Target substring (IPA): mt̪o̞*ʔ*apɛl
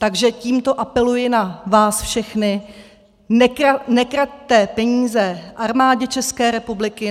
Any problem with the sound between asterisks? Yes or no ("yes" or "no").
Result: no